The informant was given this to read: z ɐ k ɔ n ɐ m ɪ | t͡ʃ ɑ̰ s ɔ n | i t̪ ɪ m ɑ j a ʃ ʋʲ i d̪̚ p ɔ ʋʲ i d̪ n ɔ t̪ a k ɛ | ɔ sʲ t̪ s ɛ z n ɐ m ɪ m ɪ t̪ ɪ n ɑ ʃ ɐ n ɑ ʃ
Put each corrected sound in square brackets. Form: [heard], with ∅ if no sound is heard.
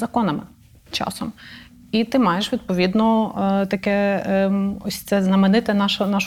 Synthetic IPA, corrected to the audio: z ɐ k ɔ n ɐ m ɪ | t͡ʃ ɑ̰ s ɔ [m] | i t̪ ɪ m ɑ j [e] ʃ ʋʲ i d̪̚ p ɔ ʋʲ i d̪ n ɔ t̪ [ɐ] k ɛ | ɔ sʲ t̪ s ɛ z n ɐ m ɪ [n] ɪ t̪ ɪ n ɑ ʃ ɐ n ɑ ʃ